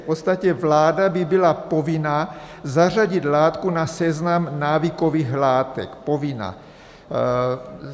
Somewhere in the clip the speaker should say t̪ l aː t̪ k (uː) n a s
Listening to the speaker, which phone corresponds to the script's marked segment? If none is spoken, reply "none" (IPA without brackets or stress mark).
u